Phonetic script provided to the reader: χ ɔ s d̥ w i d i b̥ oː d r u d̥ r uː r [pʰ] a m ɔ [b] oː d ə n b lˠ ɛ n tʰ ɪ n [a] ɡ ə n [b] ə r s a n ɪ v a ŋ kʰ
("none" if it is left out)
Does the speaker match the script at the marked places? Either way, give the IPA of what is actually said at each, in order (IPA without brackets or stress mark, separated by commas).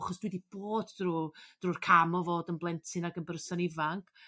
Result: kʰ, v, a, b